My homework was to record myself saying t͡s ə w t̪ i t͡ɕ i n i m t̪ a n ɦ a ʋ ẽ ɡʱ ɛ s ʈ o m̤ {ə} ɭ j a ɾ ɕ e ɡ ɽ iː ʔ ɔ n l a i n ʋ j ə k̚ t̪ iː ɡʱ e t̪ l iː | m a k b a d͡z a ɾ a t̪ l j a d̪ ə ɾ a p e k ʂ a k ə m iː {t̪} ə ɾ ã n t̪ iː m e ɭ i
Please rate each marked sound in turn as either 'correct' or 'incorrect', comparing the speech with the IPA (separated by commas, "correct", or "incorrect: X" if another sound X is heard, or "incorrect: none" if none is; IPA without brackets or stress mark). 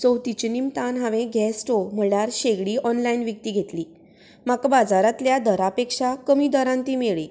correct, incorrect: d̪